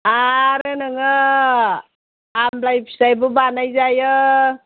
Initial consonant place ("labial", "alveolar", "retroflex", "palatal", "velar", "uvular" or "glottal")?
alveolar